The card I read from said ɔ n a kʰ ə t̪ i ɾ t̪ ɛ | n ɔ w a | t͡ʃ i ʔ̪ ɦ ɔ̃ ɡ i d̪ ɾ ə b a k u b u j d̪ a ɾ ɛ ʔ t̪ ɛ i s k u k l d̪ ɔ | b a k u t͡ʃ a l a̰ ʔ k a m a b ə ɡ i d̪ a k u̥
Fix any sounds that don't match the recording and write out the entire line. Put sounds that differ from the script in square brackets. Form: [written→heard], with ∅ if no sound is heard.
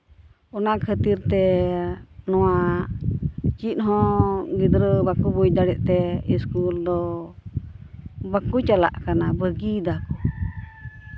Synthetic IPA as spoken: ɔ n a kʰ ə t̪ i ɾ t̪ ɛ | n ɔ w a | t͡ʃ i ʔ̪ ɦ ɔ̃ ɡ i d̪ ɾ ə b a k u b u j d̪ a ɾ ɛ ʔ t̪ ɛ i s k u [k→∅] l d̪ ɔ | b a k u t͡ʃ a l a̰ ʔ k a [m→n] a b ə ɡ i d̪ a k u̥